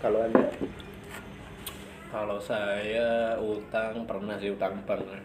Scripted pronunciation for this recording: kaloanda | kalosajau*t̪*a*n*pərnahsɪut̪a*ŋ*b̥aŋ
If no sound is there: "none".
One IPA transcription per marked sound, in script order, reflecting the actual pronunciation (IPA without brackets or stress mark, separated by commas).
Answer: t̪, ŋ, ŋ